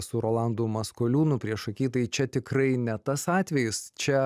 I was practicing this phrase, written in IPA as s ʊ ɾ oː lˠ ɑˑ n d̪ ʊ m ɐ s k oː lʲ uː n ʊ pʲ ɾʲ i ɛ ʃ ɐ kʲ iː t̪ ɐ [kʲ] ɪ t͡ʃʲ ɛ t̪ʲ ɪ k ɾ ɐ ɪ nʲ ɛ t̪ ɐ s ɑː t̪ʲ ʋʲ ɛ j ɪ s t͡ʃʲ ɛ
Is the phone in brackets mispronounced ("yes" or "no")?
yes